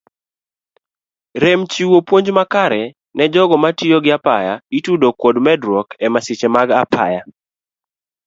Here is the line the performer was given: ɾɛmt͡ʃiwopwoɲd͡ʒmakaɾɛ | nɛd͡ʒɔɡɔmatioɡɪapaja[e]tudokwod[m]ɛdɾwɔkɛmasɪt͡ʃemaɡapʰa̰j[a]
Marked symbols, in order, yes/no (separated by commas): no, yes, yes